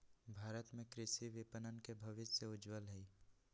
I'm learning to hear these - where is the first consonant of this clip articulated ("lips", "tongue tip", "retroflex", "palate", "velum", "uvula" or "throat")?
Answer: lips